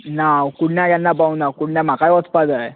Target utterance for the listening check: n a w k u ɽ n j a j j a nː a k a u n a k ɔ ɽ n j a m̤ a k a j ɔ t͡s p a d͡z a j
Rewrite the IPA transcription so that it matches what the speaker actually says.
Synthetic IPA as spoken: n a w k u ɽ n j a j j a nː a p a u n a k u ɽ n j a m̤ a k a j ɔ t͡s p a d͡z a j